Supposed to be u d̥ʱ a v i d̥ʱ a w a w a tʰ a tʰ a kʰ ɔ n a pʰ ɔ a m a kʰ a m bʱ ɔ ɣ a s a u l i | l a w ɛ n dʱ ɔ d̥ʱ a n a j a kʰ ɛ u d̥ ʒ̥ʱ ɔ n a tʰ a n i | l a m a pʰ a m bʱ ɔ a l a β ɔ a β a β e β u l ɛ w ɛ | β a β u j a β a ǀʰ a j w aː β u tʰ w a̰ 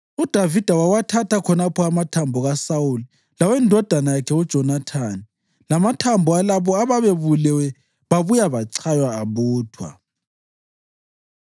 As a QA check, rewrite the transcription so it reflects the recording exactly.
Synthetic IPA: u d̥ʱ a v i d̥ʱ a w a w a tʰ a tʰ a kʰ ɔ n a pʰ ɔ a m a tʰ a m bʱ ɔ ɣ a s a u l i | l a w ɛ n dʱ ɔ d̥ʱ a n a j a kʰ ɛ u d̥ ʒ̥ʱ ɔ n a tʰ a n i | l a m a tʰ a m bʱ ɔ a l a β ɔ a β a β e β u l ɛ w ɛ | β a β u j a β a ǀʰ a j w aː β uː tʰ w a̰